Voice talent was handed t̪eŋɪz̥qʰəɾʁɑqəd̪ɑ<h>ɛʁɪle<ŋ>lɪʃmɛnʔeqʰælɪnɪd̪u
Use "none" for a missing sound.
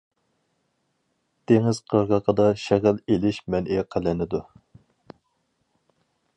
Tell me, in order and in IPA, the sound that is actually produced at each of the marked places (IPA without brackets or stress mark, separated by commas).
ʃ, none